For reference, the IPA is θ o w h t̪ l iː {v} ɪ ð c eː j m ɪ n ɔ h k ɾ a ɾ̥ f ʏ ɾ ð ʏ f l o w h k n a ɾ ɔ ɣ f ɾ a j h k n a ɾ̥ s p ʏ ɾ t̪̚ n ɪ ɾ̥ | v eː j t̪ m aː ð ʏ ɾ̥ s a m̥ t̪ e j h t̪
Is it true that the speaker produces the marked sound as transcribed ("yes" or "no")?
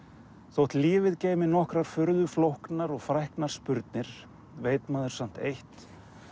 yes